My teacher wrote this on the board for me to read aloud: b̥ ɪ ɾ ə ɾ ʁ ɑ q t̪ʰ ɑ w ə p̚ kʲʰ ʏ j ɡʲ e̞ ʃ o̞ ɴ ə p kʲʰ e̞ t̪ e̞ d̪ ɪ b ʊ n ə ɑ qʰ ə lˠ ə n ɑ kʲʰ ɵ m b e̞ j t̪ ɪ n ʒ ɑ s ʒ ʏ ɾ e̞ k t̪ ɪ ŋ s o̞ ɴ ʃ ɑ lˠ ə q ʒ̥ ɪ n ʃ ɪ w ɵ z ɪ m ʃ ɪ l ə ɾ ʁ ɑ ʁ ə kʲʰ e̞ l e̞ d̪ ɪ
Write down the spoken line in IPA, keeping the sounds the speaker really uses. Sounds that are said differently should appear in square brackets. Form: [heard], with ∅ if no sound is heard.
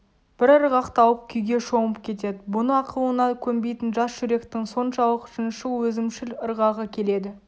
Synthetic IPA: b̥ ɪ ɾ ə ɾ ʁ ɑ q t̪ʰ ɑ w ə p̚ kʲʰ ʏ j ɡʲ e̞ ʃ o̞ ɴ ə p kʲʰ e̞ t̪ e̞ d̪ ɪ b ʊ n ə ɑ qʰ ə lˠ ə n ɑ kʲʰ ɵ m b e̞ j t̪ ɪ n ʒ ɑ s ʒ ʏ ɾ e̞ k t̪ ɪ ŋ s o̞ [n] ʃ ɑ lˠ ə q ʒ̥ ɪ n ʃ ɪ w ɵ z ɪ m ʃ ɪ l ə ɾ ʁ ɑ ʁ ə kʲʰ e̞ l e̞ d̪ ɪ